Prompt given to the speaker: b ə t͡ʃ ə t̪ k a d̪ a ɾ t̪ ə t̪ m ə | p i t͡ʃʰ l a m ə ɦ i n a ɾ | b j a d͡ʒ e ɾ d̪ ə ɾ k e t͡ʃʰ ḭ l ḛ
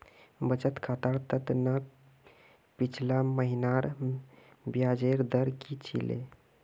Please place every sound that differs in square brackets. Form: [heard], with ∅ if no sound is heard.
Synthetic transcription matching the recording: b ə t͡ʃ ə t̪ [kʰ] a [t̪] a ɾ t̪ ə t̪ [n] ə | p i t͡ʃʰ l a m ə ɦ i n a ɾ | b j a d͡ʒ e ɾ d̪ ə ɾ k [i] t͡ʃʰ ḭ l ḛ